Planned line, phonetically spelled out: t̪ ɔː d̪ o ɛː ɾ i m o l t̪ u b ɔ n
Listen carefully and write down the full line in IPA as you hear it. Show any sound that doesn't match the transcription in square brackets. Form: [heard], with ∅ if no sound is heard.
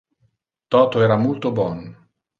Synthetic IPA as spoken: t̪ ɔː [t̪] o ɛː ɾ [a] m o l t̪ [o] b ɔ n